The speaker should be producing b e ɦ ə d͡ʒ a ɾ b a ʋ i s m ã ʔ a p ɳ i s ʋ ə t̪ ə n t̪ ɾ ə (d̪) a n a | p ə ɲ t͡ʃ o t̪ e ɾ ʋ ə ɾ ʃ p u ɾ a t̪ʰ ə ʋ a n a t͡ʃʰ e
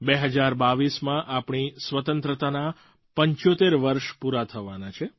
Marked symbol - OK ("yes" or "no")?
no